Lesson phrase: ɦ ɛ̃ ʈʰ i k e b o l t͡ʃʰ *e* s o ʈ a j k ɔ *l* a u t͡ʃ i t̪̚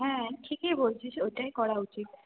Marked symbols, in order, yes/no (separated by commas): no, no